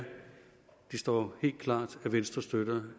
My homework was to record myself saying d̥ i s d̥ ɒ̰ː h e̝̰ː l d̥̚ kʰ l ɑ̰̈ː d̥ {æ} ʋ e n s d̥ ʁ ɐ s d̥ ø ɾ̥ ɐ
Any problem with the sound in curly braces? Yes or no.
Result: no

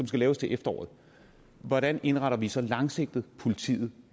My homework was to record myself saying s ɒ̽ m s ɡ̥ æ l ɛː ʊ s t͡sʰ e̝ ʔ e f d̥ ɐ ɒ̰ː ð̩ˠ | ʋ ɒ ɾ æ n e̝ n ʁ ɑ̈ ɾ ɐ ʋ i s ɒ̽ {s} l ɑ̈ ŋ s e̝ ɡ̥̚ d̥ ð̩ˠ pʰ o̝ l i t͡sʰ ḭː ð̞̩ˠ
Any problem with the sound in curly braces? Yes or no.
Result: yes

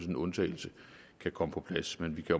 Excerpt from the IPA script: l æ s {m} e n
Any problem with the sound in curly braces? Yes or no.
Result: no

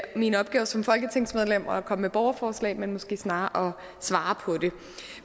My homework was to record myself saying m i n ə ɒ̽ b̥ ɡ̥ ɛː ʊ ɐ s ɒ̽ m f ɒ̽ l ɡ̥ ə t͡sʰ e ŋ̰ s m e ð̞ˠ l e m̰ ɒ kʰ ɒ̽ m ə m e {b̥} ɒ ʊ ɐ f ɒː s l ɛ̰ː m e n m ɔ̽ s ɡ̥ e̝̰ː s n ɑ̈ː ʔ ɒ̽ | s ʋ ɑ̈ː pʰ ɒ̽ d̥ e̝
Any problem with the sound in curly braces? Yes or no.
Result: no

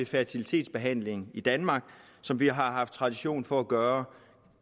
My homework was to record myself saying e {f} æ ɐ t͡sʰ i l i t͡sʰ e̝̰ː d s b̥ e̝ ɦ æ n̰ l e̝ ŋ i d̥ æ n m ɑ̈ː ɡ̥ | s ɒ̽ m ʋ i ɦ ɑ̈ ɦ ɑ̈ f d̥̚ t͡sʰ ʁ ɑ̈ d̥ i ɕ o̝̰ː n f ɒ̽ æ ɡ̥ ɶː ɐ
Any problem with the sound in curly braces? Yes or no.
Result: no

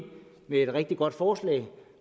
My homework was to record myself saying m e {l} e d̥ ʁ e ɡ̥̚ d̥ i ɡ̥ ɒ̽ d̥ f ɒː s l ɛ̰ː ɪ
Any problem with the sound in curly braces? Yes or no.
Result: yes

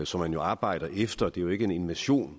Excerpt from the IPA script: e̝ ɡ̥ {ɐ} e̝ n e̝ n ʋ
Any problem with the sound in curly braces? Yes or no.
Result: yes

